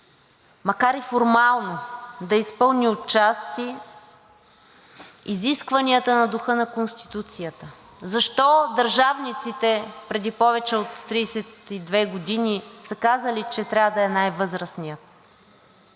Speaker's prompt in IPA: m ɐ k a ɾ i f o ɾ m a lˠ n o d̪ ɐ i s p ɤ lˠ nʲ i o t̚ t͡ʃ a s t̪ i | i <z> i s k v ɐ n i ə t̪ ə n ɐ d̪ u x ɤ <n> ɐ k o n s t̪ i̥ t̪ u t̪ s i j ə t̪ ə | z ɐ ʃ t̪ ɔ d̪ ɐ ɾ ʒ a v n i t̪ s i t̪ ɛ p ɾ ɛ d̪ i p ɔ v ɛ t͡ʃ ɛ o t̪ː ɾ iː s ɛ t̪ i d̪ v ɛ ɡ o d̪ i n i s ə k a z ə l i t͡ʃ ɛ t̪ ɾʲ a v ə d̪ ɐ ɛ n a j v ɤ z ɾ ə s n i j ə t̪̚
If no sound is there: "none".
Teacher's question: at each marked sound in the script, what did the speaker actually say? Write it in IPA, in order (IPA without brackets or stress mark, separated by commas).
z, n